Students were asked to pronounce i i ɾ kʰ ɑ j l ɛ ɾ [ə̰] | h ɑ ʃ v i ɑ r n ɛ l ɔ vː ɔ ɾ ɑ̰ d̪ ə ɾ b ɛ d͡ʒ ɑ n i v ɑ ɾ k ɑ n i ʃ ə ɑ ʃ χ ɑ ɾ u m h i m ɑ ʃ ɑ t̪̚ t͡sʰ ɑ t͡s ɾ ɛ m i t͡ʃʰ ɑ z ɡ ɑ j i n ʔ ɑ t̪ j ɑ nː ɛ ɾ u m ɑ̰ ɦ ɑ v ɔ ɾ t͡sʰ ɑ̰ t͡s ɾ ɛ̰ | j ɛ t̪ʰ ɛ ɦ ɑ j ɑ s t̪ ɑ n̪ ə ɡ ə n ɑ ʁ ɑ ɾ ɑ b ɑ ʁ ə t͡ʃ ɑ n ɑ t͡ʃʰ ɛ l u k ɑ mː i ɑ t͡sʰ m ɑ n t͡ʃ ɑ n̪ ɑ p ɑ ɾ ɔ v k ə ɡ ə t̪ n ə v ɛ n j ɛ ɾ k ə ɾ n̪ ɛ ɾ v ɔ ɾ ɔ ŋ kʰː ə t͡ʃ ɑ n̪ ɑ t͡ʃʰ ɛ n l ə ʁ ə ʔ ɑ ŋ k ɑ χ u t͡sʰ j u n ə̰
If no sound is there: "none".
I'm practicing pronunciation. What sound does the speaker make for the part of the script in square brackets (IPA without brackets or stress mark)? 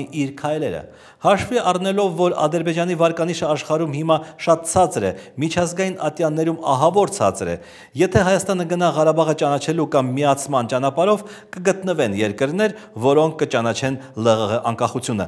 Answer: ə̰